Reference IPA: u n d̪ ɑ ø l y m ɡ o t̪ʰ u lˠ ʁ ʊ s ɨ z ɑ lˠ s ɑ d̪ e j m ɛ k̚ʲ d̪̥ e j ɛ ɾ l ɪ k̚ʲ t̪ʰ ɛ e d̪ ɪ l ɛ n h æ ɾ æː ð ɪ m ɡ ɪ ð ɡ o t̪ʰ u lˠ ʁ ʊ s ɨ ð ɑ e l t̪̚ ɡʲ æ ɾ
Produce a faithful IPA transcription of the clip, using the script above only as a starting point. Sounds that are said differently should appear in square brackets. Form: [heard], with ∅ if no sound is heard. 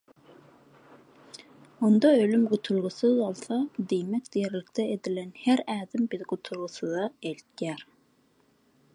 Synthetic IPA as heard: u n d̪ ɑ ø l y m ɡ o t̪ʰ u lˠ ʁ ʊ s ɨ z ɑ lˠ s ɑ d̪ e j m ɛ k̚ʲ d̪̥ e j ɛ ɾ l ɪ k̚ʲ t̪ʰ ɛ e d̪ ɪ l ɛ n h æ ɾ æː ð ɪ m [b] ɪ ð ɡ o t̪ʰ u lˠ ʁ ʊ s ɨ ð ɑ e l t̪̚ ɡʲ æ ɾ